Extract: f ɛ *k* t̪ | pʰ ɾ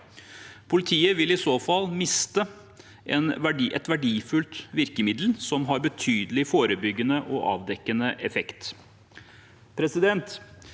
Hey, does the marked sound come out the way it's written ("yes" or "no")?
yes